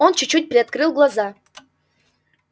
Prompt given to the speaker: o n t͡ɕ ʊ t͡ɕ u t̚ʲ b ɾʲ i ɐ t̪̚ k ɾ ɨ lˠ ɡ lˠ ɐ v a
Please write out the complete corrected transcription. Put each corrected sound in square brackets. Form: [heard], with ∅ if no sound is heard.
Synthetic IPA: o n t͡ɕ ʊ t͡ɕ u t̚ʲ [p] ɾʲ [ɪ] ɐ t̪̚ k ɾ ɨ lˠ ɡ lˠ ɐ [z] a